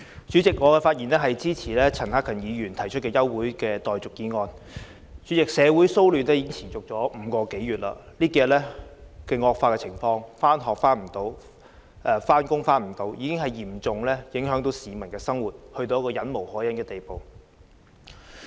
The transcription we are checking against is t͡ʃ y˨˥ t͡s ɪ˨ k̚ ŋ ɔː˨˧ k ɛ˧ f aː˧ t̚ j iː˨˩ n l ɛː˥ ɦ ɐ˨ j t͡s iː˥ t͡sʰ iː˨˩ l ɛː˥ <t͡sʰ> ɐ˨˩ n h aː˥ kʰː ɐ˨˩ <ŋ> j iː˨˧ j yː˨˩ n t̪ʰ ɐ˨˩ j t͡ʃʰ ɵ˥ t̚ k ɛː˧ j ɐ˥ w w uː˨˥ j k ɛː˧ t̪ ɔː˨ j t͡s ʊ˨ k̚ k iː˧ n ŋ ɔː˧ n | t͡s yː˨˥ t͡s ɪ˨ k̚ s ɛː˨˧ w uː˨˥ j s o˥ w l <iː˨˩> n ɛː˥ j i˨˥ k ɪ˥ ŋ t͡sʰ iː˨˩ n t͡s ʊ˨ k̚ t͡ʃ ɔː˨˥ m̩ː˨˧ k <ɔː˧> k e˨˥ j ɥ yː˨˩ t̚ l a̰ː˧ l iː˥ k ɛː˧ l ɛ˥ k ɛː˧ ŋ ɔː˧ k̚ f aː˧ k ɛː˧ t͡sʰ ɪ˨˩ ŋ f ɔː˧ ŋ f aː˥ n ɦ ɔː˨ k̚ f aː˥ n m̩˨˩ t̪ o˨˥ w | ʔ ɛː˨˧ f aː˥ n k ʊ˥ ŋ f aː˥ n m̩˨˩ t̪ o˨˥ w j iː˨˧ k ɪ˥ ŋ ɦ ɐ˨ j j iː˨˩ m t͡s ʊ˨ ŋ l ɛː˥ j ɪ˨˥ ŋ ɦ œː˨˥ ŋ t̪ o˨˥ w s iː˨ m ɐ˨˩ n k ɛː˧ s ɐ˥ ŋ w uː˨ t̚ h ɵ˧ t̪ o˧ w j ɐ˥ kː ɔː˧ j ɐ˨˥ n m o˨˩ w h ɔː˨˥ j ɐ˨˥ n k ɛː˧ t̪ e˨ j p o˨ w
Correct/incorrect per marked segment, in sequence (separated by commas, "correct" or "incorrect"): correct, incorrect, incorrect, correct